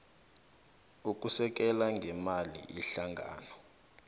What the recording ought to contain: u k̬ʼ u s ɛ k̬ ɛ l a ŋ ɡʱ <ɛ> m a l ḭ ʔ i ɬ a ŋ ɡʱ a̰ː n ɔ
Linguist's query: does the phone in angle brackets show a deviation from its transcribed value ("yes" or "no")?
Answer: no